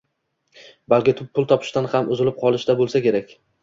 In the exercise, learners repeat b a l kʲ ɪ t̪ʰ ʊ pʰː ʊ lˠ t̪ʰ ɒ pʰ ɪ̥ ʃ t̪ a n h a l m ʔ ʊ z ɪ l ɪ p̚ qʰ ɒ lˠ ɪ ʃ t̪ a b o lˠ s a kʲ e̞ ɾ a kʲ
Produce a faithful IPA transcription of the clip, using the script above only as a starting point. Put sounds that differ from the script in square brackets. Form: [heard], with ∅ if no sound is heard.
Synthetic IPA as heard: b a l kʲ ɪ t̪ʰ ʊ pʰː ʊ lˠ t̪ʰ ɒ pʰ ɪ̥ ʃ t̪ a n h a [∅] m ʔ ʊ z ɪ l ɪ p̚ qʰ ɒ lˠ ɪ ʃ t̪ a b o lˠ s a kʲ e̞ ɾ a kʲ